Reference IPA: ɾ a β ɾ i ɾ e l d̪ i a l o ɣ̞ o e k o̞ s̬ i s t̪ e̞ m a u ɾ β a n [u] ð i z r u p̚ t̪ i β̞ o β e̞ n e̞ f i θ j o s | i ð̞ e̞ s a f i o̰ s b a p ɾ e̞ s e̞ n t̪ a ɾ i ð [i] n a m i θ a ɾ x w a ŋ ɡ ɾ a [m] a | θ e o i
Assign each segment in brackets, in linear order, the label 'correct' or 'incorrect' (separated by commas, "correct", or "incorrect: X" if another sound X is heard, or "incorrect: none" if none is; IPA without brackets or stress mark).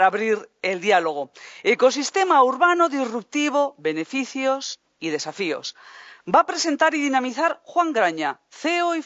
incorrect: o, correct, incorrect: ɲ